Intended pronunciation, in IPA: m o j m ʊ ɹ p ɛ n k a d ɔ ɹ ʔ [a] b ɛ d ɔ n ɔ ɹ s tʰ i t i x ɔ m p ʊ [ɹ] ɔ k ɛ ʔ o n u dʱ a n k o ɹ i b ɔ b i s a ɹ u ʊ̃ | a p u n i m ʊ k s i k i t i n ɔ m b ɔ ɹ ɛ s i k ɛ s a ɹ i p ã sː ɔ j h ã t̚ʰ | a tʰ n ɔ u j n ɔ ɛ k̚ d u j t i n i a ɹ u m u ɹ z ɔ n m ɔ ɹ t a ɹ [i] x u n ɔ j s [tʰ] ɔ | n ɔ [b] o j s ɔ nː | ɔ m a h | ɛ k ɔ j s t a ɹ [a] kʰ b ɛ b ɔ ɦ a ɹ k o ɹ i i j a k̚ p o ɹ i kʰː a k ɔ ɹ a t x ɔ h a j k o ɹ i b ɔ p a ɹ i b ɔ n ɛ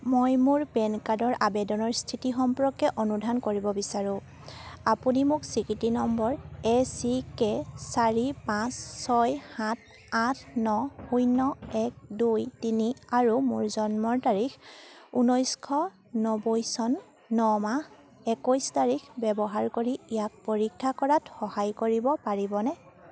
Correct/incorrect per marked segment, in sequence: correct, correct, correct, incorrect, correct, incorrect

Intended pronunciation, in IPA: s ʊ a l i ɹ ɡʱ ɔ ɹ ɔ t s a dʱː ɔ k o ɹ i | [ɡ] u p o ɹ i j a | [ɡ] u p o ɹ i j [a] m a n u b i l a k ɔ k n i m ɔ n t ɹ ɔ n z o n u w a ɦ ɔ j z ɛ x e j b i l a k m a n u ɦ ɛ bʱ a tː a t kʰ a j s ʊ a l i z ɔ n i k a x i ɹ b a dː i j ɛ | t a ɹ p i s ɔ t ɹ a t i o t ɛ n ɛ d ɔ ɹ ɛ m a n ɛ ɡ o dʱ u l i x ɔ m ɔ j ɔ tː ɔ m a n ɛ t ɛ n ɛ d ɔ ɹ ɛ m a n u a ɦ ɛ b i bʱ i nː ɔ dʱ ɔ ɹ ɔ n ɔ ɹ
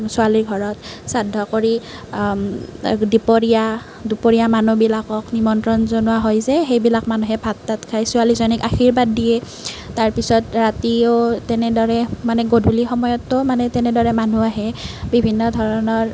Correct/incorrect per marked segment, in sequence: incorrect, incorrect, correct

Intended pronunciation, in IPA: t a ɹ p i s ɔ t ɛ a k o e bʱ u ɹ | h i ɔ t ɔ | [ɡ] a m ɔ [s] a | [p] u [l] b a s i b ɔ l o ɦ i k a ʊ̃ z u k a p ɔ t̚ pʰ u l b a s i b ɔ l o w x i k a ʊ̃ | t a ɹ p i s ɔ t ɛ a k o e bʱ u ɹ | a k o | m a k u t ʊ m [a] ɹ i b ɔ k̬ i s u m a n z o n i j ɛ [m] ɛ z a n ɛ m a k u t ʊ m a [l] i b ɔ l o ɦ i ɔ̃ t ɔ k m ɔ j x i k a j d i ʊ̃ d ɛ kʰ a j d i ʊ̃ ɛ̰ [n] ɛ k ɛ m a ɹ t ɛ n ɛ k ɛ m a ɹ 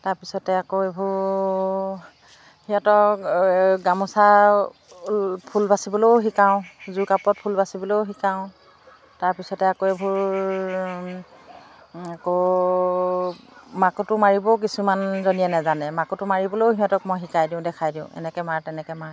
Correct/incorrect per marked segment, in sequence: correct, correct, incorrect, correct, correct, incorrect, incorrect, correct

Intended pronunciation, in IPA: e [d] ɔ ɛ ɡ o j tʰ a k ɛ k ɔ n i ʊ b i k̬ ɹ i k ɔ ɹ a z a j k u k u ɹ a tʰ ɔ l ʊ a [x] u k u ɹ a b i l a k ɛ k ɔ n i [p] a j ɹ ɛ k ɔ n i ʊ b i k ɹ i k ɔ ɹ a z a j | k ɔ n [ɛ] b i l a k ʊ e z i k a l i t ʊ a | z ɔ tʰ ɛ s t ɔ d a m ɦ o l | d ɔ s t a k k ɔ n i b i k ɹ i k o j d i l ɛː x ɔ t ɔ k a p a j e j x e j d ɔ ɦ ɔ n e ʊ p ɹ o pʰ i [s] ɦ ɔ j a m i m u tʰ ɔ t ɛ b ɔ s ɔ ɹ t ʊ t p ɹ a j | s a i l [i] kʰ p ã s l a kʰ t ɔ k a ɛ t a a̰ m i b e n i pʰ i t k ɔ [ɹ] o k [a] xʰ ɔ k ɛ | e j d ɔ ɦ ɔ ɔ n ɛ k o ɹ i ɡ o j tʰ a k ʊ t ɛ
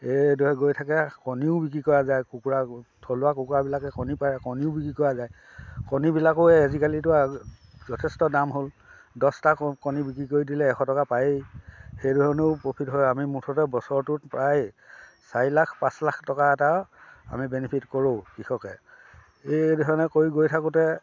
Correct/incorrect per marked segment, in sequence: correct, incorrect, correct, incorrect, incorrect, incorrect, correct, incorrect

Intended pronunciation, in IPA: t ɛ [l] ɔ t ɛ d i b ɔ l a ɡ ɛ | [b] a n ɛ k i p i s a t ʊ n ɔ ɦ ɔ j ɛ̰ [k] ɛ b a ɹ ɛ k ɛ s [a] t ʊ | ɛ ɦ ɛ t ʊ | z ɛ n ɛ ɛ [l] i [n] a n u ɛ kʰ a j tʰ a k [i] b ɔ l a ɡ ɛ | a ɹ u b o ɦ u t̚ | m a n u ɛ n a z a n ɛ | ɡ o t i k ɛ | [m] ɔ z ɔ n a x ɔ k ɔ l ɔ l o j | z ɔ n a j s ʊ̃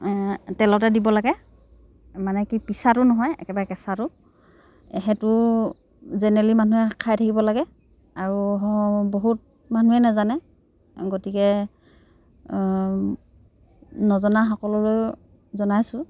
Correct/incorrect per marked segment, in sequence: correct, incorrect, correct, correct, correct, incorrect, correct, incorrect

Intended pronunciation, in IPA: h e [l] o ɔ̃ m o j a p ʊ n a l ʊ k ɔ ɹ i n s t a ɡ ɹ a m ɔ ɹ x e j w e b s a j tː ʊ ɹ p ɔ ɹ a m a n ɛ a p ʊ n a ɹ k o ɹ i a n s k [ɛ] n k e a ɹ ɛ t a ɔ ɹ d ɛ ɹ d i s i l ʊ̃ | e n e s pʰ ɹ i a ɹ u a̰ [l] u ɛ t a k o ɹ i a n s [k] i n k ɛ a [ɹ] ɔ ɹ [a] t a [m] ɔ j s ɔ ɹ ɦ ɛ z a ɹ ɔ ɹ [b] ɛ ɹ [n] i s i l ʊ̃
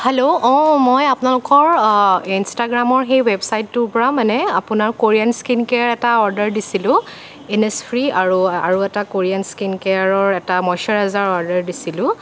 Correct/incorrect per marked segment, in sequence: correct, incorrect, incorrect, correct, correct, incorrect, correct, incorrect, incorrect

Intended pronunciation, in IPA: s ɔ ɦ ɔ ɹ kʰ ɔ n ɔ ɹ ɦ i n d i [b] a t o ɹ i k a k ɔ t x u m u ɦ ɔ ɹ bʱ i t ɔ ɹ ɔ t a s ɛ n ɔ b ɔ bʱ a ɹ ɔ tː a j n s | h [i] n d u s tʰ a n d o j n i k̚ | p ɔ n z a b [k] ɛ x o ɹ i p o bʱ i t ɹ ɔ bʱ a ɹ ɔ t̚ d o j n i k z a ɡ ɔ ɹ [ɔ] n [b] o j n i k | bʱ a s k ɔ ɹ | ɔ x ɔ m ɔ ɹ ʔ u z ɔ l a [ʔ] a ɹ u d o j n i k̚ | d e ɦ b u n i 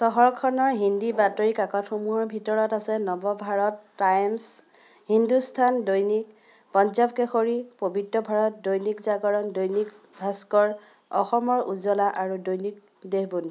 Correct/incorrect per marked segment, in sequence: correct, correct, correct, correct, incorrect, correct

